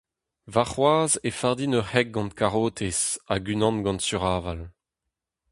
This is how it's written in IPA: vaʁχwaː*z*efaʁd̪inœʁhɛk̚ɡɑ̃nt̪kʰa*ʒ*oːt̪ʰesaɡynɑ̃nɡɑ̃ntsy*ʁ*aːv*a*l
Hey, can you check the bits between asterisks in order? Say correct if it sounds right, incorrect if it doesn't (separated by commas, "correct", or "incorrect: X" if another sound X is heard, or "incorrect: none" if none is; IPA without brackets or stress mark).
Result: correct, incorrect: ʁ, correct, correct